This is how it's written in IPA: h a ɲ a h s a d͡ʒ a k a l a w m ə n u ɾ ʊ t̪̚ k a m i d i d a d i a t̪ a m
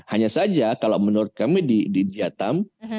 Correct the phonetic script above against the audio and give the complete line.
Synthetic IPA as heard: h a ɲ a s a d͡ʒ a k a l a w m ə n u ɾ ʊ t̪̚ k a m i d i d i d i a t̪ a m